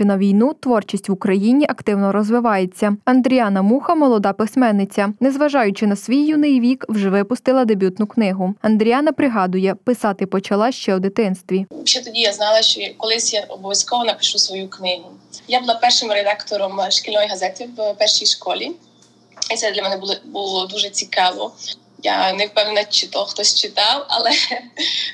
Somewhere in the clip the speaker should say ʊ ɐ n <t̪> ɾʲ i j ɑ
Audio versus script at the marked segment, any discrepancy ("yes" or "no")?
yes